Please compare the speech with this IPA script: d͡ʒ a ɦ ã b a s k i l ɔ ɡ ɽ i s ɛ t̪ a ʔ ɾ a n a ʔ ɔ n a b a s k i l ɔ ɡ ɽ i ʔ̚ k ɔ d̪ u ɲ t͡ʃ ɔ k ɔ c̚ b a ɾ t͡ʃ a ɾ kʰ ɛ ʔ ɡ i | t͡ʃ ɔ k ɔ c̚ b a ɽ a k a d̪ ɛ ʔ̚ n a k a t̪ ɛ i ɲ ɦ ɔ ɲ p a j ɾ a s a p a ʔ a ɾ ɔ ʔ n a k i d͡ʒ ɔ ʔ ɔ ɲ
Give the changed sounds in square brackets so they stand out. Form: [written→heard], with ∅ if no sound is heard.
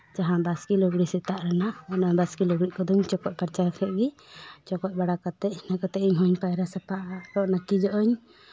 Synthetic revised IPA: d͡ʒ a ɦ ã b a s k i l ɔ ɡ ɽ i s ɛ t̪ a ʔ ɾ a n a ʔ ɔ n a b a s k i l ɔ ɡ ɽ i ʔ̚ k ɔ d̪ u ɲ t͡ʃ ɔ k ɔ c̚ [b→p] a ɾ t͡ʃ a ɾ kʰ ɛ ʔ ɡ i | t͡ʃ ɔ k ɔ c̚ b a ɽ a k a [d̪→t̪] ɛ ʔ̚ n a k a t̪ ɛ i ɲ ɦ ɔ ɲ p a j ɾ a s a p a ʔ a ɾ ɔ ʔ n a k i d͡ʒ ɔ ʔ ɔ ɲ